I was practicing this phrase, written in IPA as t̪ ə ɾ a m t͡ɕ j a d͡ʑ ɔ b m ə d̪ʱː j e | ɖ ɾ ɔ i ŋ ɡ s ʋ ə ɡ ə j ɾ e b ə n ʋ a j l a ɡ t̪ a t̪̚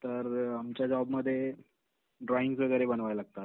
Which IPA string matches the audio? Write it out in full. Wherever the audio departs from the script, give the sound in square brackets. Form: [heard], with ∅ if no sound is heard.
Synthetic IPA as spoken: t̪ ə ɾ a m t͡ɕ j a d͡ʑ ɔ b m ə d̪ʱː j e | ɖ ɾ ɔ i ŋ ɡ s ʋ ə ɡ ə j ɾ e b ə n ʋ a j l a ɡ t̪ a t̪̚